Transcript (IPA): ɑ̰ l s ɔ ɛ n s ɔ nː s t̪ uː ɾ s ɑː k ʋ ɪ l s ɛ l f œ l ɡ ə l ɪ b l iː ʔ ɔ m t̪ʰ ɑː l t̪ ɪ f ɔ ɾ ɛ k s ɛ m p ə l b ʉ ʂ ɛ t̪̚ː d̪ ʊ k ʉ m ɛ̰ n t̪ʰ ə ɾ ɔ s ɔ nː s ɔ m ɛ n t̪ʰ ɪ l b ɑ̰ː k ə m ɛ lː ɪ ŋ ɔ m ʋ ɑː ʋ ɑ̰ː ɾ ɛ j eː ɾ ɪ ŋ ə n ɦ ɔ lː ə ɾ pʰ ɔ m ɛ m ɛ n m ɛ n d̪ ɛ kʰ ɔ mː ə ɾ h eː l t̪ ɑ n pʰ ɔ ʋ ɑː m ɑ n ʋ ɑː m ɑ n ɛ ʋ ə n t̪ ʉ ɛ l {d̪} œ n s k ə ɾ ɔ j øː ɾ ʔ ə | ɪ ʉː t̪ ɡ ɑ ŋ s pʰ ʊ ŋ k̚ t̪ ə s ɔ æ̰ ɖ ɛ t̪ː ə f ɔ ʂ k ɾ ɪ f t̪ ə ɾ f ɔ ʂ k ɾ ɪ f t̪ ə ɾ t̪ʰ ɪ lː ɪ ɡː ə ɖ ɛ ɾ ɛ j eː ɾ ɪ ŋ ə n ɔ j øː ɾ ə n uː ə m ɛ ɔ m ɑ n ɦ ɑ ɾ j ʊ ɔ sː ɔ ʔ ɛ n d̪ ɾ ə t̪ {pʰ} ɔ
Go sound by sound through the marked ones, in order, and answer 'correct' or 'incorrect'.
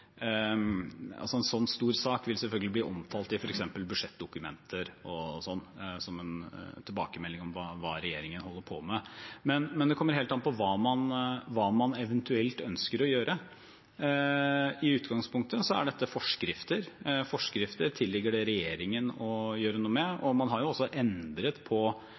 incorrect, correct

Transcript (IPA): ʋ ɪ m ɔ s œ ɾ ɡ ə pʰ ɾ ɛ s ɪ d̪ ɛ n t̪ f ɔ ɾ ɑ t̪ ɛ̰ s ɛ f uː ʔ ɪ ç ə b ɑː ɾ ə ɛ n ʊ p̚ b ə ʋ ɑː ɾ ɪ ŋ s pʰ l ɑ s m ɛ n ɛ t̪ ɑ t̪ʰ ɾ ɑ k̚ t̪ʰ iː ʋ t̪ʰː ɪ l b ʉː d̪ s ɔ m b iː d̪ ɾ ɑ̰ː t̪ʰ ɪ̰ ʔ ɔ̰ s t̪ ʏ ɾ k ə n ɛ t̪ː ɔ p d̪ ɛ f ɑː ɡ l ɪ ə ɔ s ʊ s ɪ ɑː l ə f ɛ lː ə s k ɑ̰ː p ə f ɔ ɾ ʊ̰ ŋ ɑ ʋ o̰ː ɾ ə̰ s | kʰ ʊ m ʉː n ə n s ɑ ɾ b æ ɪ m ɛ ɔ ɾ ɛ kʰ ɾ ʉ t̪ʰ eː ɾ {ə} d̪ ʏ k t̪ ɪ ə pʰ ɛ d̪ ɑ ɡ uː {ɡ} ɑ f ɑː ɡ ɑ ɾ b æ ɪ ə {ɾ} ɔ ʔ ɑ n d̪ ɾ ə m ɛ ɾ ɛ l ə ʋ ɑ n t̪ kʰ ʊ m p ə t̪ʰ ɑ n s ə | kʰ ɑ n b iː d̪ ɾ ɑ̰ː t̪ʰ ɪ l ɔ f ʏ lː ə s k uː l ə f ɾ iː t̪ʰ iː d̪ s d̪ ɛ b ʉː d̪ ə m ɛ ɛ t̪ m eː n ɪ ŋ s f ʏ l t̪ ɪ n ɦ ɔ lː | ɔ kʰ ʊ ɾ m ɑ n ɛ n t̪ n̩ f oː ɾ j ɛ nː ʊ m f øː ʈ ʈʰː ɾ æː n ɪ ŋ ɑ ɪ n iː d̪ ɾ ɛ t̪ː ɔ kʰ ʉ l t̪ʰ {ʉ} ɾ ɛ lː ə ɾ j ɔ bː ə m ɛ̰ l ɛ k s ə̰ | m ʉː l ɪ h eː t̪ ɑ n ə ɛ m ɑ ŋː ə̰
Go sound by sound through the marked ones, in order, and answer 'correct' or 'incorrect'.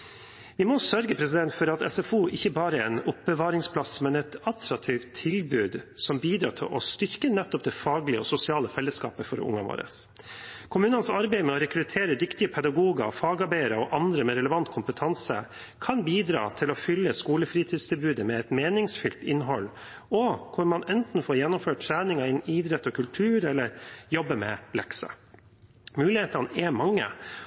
correct, correct, correct, incorrect

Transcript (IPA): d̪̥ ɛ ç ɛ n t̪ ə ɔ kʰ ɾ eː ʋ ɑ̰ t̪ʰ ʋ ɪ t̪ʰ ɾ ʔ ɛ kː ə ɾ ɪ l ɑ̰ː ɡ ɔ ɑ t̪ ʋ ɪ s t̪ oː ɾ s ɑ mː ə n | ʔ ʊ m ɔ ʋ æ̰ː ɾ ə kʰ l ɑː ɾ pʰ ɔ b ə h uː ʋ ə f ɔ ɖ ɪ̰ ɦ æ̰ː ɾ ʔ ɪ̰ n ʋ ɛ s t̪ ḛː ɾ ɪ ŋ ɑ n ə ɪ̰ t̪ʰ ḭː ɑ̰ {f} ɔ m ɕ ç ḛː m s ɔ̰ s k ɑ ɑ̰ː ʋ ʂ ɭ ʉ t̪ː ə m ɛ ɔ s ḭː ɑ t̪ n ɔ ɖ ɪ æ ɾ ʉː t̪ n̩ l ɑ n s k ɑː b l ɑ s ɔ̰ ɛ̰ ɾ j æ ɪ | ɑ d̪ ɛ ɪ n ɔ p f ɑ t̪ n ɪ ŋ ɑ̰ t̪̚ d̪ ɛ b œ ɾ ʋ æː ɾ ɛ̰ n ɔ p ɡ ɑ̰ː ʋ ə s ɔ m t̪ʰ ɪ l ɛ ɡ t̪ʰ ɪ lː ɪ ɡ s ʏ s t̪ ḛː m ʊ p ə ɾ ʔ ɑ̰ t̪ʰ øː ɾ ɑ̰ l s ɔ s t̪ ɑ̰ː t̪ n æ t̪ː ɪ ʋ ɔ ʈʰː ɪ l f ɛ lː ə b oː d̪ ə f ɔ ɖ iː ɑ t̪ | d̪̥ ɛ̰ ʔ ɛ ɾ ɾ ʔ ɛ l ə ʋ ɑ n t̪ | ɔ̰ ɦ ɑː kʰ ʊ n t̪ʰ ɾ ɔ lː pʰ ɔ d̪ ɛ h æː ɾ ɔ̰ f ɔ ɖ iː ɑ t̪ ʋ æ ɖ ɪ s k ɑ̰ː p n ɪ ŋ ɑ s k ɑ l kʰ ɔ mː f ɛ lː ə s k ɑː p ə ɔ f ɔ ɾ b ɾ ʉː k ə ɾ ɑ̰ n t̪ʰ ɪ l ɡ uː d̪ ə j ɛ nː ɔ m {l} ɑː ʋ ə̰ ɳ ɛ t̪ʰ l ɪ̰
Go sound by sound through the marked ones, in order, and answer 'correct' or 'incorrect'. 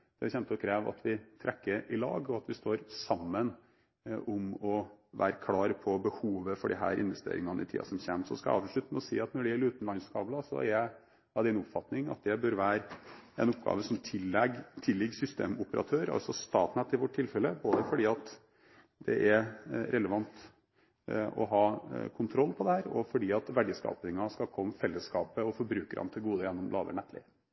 incorrect, correct

